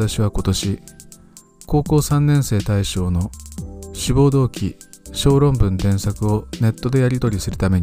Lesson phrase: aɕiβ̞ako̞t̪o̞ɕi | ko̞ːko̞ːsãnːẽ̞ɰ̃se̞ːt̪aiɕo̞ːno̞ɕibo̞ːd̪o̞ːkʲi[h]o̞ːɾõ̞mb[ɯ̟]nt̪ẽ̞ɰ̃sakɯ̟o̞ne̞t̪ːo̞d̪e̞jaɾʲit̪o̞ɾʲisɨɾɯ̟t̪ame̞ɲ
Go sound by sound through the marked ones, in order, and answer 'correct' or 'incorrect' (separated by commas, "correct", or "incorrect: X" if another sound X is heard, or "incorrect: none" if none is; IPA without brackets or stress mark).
incorrect: ɕ, incorrect: ɯ̟̃